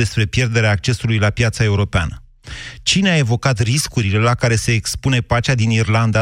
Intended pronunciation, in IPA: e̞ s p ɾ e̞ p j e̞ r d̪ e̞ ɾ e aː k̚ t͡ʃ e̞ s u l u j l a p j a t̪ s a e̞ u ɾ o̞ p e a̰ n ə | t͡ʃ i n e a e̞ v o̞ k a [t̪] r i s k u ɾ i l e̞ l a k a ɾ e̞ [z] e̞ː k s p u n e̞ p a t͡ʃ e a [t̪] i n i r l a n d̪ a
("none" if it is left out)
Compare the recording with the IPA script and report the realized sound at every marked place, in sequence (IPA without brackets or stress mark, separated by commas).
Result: t̪, s, d̪